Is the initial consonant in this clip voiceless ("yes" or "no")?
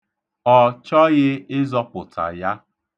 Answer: yes